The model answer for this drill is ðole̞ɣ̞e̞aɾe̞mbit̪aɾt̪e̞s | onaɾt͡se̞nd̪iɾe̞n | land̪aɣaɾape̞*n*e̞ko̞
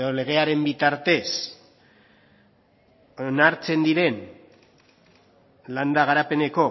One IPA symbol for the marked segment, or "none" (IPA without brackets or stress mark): n